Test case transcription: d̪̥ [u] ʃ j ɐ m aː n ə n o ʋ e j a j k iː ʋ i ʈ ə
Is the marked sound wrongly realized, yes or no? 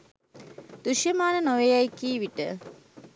no